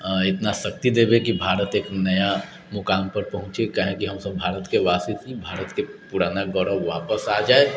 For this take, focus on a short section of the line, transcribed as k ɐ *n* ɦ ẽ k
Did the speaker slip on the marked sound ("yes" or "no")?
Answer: yes